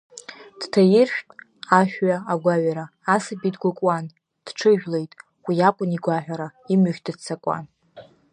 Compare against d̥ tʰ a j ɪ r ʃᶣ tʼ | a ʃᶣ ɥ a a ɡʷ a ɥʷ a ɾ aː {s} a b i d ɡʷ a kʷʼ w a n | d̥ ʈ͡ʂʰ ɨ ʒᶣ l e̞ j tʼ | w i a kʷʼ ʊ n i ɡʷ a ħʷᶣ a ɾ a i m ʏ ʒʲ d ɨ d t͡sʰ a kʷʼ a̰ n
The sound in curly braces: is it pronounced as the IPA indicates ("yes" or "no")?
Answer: yes